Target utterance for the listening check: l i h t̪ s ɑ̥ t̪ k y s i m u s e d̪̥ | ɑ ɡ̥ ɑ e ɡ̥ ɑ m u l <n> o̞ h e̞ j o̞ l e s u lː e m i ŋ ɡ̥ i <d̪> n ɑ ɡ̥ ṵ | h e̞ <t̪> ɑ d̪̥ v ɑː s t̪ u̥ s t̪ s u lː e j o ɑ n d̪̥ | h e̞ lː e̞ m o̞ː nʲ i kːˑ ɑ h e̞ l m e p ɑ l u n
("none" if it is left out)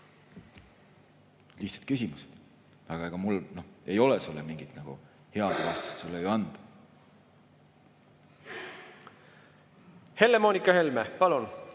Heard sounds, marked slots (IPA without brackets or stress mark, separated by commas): n, t̪, none